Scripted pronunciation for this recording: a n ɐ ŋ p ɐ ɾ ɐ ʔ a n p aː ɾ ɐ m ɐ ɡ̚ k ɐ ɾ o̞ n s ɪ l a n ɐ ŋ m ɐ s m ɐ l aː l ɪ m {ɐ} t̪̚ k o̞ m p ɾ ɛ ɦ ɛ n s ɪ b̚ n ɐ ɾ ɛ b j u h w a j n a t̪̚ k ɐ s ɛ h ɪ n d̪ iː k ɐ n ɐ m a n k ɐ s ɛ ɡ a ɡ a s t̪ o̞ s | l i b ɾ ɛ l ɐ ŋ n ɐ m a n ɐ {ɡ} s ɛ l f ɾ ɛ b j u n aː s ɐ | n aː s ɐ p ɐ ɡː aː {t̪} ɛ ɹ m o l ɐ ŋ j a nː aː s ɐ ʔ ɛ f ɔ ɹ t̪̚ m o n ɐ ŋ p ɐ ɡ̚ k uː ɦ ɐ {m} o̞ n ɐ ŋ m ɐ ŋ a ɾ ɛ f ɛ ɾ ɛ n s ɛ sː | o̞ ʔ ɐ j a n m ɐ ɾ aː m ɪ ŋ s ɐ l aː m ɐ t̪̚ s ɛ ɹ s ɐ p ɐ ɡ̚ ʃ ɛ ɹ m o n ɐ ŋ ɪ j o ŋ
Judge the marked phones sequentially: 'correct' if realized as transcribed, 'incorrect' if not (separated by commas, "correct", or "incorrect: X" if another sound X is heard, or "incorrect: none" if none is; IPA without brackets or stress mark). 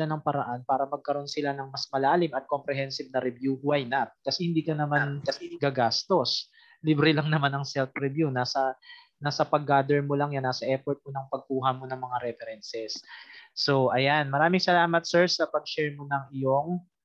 correct, incorrect: ŋ, incorrect: d̪, correct